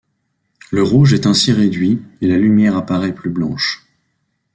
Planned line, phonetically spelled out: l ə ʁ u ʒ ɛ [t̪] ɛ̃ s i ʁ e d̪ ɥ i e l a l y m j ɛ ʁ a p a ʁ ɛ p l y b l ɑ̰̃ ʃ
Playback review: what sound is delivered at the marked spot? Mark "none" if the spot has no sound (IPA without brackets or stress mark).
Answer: t̪